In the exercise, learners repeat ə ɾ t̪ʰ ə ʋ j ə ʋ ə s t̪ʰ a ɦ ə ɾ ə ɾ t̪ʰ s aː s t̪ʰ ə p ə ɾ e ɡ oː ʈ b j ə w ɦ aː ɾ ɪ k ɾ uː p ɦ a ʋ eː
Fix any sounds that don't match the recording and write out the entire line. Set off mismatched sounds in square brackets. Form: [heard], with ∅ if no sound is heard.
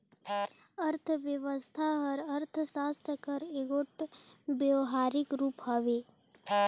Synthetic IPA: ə ɾ t̪ʰ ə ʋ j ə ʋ ə s t̪ʰ a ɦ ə ɾ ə ɾ t̪ʰ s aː s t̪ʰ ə [k] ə ɾ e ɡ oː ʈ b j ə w ɦ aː ɾ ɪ k ɾ uː p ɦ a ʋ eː